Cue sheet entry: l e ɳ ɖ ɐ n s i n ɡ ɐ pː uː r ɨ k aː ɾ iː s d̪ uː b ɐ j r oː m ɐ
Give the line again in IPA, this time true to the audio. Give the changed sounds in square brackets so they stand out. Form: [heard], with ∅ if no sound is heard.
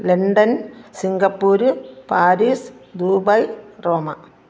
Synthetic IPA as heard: l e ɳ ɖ ɐ n s i [ŋ] ɡ ɐ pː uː [ɾ] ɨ [p] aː ɾ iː s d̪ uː b ɐ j r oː m ɐ